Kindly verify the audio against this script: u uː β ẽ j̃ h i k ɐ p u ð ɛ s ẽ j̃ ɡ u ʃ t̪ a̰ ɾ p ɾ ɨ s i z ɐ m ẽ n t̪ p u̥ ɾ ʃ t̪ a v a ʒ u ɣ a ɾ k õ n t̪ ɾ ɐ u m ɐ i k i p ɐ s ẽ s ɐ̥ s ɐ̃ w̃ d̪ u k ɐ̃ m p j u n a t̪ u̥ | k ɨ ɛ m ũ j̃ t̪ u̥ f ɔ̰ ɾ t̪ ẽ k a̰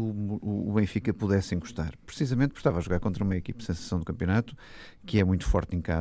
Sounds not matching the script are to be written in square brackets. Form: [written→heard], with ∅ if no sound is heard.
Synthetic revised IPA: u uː β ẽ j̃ [h→f] i k ɐ p u ð ɛ s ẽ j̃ ɡ u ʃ t̪ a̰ ɾ p ɾ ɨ s i z ɐ m ẽ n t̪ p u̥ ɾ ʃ t̪ a v a ʒ u ɣ a ɾ k õ n t̪ ɾ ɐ u m ɐ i k i p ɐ s ẽ s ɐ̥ s ɐ̃ w̃ d̪ u k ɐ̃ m p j u n a t̪ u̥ | k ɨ ɛ m ũ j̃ t̪ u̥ f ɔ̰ ɾ t̪ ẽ k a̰